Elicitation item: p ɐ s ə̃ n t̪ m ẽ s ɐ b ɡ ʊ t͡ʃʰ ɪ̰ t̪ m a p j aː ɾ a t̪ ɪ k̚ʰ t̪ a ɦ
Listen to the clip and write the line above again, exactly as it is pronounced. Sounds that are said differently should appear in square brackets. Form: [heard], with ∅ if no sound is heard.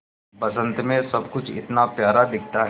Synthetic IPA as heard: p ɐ s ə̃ n t̪ m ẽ s ɐ b [k] ʊ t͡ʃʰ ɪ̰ t̪ [n] a p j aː ɾ a [d̪] ɪ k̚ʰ t̪ a ɦ